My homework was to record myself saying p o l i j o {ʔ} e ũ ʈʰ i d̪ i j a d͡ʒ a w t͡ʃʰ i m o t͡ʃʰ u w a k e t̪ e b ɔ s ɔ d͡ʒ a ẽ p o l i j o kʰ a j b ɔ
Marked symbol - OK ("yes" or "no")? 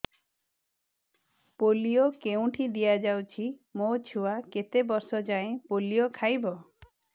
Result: no